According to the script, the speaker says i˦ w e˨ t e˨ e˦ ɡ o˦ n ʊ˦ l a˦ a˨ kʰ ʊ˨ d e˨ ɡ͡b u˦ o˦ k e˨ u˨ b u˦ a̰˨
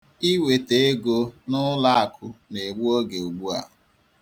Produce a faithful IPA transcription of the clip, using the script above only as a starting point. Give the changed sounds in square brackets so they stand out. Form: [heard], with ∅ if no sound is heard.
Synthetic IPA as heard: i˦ w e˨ t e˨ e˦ ɡ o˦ n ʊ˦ l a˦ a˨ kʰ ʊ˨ [n] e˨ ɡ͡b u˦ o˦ [ɡ] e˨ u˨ [ɡ͡b] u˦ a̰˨